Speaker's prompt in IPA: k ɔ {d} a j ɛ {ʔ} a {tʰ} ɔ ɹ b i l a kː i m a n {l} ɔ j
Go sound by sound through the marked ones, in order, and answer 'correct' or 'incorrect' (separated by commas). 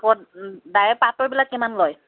correct, incorrect, incorrect, correct